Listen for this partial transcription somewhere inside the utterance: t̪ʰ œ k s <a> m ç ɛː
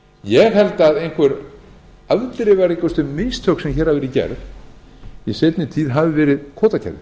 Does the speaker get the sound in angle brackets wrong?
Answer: yes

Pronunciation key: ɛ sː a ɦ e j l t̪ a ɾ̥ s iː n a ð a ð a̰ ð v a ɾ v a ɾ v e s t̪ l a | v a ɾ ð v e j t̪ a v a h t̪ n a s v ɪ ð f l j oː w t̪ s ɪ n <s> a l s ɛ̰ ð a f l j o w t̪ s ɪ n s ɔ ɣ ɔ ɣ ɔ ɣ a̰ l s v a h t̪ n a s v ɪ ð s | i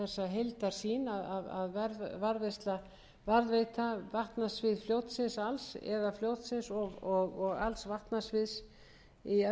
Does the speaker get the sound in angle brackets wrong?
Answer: no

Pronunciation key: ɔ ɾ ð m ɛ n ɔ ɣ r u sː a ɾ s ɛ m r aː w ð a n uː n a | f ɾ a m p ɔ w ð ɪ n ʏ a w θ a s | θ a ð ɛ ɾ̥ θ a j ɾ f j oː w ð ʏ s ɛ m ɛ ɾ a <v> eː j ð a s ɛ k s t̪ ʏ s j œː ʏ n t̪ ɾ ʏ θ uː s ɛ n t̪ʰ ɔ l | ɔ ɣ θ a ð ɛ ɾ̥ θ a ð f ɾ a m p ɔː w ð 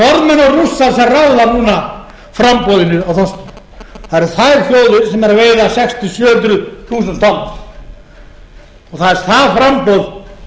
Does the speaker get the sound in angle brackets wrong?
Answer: no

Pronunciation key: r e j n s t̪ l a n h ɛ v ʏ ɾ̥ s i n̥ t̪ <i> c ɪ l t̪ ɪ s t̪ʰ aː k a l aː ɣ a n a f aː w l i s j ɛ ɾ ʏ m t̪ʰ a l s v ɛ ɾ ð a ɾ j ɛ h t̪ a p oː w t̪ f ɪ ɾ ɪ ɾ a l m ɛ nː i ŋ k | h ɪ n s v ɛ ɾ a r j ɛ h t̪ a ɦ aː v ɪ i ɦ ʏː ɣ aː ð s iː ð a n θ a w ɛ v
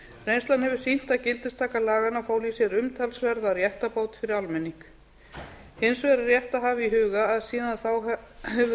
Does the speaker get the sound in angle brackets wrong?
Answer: yes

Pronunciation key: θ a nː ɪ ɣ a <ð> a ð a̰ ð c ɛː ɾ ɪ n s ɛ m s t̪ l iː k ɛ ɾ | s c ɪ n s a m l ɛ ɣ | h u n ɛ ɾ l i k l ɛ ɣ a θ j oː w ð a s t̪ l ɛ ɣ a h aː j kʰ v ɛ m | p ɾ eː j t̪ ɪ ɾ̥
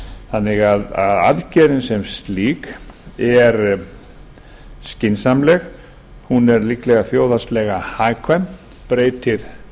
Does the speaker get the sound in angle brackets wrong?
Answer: no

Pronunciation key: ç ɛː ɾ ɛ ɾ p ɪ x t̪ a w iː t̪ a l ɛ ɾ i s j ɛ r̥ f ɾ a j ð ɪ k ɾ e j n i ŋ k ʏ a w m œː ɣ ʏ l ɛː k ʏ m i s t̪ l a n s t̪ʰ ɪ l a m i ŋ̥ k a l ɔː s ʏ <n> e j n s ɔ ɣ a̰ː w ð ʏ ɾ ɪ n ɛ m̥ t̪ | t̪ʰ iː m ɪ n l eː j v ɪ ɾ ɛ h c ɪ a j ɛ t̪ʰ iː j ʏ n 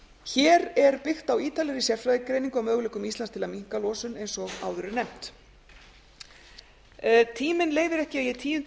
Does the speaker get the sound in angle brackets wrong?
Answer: no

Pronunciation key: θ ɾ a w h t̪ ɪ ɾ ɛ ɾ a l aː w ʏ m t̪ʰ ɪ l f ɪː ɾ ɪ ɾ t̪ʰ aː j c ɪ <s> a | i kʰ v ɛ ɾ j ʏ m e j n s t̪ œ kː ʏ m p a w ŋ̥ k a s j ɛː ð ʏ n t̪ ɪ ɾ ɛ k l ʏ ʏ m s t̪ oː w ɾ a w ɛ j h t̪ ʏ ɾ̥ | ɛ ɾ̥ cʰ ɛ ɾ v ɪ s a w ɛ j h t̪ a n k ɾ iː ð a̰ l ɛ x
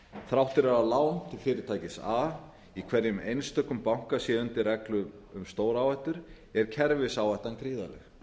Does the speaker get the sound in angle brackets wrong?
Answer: no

